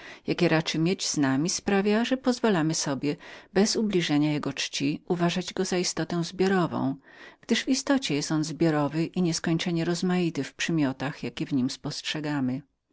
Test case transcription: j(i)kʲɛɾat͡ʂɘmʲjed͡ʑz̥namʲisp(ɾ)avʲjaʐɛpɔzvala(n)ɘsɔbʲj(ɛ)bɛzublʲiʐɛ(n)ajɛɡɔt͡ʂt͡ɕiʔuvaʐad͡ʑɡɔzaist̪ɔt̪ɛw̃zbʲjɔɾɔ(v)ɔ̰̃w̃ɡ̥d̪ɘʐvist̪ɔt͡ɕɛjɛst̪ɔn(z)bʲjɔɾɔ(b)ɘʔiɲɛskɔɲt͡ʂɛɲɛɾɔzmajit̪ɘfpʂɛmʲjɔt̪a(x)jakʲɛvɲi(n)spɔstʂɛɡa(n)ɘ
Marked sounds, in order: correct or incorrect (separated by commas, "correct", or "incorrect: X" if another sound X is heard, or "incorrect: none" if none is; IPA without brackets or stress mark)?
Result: incorrect: a, correct, incorrect: m, correct, incorrect: ɲ, correct, correct, incorrect: v, correct, incorrect: m, incorrect: m